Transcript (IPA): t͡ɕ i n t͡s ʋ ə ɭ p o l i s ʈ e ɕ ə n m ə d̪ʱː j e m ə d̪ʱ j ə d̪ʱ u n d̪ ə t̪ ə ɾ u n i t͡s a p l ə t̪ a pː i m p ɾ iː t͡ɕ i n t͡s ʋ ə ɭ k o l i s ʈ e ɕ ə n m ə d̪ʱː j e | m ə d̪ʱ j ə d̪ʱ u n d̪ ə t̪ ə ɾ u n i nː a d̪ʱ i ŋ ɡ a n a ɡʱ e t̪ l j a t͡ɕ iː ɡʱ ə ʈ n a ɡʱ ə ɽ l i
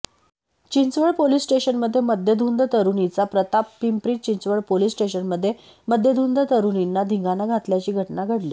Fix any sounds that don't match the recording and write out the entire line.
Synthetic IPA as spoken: t͡ɕ i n t͡s ʋ ə ɭ p o l i s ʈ e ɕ ə n m ə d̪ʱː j e m ə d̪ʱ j ə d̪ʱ u n d̪ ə t̪ ə ɾ u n i t͡s a p ɾ ə t̪ a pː i m p ɾ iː t͡ɕ i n t͡s ʋ ə ɭ p o l i s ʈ e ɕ ə n m ə d̪ʱː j e | m ə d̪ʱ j ə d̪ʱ u n d̪ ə t̪ ə ɾ u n i nː a d̪ʱ i ŋ ɡ a n a ɡʱ a t̪ l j a t͡ɕ iː ɡʱ ə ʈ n a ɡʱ ə ɽ l i